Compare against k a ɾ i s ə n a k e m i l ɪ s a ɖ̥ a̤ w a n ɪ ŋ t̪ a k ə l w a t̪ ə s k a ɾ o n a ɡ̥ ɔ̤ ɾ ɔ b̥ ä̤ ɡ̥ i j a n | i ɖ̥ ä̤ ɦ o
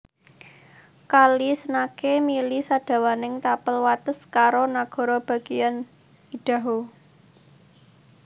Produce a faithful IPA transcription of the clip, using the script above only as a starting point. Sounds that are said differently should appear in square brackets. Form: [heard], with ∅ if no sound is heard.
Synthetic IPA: k a [l] i s ə n a k e m i l [i] s a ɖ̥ a̤ w a n ɪ ŋ t̪ a [p] ə l w a t̪ ə s k a ɾ o n a ɡ̥ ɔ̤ ɾ ɔ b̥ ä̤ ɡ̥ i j a n | i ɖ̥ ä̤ ɦ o